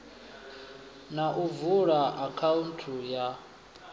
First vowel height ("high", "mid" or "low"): low